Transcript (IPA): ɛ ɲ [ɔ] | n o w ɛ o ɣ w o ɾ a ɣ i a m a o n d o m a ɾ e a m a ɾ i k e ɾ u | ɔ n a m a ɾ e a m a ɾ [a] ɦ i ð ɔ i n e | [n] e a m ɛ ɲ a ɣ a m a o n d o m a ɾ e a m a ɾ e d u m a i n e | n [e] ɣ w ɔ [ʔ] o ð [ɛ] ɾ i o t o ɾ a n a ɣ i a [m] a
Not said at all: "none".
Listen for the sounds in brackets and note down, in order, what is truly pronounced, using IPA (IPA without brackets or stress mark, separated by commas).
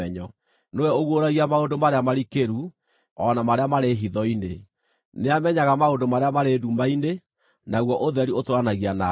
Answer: ɔ, e, n, a, ʔ, ɛ, n